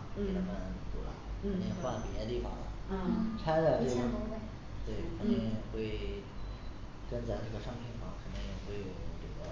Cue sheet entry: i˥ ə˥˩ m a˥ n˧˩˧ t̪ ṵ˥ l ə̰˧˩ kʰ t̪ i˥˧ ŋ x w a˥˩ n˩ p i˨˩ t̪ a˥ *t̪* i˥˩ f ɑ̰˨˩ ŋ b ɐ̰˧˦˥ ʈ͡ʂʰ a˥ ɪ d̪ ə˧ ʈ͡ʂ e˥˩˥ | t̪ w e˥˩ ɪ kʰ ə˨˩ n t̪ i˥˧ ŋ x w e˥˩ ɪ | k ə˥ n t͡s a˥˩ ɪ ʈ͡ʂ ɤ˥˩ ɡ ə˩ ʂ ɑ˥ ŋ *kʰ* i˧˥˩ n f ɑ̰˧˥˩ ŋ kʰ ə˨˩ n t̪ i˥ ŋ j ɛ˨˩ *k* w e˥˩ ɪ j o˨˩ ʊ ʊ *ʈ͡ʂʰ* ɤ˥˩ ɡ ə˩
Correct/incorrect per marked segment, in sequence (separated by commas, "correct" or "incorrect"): correct, incorrect, incorrect, incorrect